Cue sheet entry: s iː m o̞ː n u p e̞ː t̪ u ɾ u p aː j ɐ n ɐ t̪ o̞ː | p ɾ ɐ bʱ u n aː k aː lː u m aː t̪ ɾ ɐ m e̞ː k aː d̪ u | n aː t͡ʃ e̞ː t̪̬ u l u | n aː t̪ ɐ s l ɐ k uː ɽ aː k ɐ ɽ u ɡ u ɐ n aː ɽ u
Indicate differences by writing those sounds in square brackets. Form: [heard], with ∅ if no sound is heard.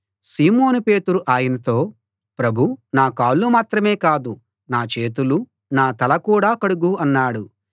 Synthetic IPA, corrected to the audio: s iː m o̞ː n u p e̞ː t̪ u ɾ u [ʔ] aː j ɐ n ɐ t̪ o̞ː | p ɾ ɐ bʱ u n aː k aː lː u m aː t̪ ɾ ɐ m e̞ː k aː d̪ u | n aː t͡ʃ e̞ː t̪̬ u l u | n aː t̪ ɐ [∅] l ɐ k uː ɽ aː k ɐ ɽ u ɡ u ɐ [nː] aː ɽ u